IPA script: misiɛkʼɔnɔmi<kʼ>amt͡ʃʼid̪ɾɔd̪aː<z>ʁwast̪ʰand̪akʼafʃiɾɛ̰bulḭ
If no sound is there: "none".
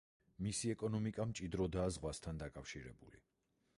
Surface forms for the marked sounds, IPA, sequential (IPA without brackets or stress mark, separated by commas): kʼ, z